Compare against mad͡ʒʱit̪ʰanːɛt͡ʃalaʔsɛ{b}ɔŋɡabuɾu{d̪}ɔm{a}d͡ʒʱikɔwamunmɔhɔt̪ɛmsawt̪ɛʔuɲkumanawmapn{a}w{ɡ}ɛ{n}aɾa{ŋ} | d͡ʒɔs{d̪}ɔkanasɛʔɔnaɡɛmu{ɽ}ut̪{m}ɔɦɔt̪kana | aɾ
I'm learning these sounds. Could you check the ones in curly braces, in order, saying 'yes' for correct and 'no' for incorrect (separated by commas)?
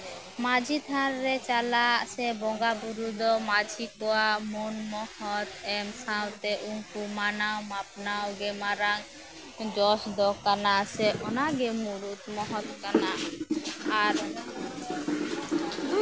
yes, yes, yes, yes, yes, no, yes, yes, no, yes